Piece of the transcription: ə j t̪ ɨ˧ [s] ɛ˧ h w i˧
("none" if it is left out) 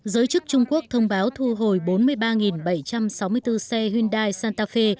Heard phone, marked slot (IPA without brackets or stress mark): s